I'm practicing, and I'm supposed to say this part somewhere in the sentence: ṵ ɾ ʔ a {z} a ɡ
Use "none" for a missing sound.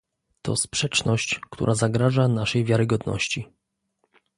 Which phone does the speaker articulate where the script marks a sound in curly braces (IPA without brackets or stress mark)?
z